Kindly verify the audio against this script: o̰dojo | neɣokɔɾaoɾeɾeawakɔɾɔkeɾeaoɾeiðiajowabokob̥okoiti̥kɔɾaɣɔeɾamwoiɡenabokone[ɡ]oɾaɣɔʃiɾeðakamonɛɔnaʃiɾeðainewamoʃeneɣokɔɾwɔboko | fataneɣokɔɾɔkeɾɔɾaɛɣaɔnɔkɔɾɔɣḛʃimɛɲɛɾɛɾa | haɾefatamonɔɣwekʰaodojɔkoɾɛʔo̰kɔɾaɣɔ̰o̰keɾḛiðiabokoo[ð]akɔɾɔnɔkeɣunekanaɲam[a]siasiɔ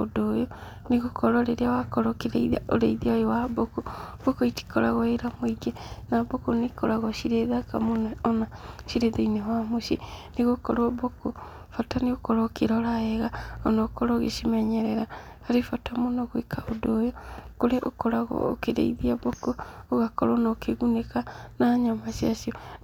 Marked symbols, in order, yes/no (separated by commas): no, no, yes